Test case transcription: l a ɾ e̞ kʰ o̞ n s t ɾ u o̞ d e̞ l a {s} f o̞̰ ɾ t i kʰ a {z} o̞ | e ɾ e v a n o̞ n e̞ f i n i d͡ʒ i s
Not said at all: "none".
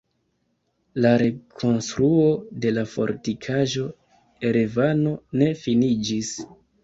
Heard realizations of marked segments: none, ʒ

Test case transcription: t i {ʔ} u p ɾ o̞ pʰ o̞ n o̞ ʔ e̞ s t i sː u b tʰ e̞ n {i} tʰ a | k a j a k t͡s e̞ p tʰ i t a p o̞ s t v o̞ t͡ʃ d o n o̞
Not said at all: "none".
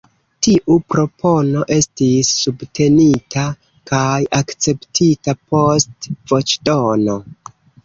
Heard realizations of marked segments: ʔ, i

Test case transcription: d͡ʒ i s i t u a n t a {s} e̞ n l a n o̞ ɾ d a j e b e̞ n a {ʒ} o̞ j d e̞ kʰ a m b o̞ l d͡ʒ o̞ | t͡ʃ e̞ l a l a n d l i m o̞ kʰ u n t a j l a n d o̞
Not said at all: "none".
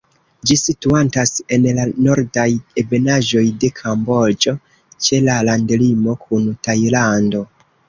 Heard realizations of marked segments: s, ʒ

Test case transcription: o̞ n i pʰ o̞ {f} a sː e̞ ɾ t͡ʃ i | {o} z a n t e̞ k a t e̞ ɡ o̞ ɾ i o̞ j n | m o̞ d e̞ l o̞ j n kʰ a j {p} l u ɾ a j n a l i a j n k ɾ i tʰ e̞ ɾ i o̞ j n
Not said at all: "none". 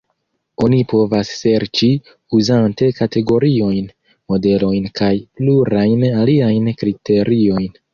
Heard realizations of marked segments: v, u, p

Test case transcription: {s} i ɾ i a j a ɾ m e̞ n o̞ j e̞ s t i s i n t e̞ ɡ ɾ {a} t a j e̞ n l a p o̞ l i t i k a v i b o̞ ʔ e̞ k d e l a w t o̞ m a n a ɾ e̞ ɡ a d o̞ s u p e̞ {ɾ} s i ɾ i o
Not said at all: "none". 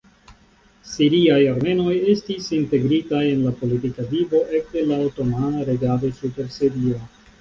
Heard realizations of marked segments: s, i, ɾ

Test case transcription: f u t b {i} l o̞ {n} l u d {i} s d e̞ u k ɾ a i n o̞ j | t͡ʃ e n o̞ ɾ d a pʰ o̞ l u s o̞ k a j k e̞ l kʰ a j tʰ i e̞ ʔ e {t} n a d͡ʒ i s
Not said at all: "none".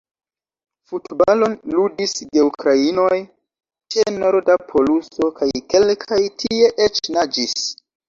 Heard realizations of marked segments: a, n, i, t͡ʃ

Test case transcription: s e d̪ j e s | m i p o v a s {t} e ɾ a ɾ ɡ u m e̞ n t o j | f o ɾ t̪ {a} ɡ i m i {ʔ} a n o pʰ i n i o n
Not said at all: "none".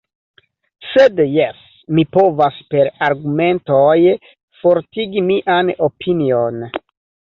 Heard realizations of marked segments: p, i, ʔ

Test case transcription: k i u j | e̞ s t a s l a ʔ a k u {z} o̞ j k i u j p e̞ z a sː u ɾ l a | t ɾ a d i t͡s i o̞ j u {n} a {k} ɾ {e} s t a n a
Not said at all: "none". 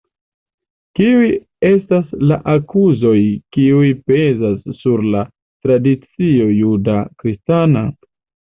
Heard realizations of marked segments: z, d, k, i

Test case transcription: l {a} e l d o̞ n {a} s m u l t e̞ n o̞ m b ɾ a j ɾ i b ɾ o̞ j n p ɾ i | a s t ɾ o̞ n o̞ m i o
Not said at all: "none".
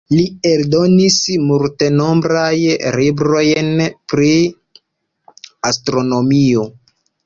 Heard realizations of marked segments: i, i

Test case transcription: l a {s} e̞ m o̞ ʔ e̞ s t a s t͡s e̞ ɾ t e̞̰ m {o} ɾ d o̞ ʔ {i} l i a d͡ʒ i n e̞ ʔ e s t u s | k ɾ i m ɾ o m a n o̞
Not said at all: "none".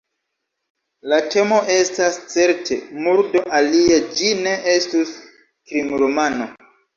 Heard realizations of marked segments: t, u, a

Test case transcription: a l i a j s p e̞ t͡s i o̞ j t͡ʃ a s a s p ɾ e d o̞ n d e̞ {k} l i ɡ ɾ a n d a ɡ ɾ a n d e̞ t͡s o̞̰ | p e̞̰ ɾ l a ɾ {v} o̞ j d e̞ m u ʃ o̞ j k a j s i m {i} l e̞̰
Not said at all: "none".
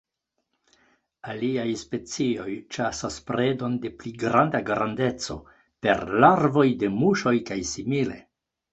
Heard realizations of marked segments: p, v, i

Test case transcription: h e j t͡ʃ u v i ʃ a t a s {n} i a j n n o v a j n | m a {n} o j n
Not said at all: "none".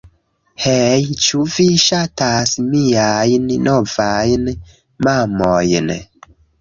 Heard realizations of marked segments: m, m

